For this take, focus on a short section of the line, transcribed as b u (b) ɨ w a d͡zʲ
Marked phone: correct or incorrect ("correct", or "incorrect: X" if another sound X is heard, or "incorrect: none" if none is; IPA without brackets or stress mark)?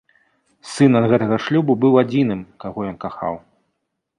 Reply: correct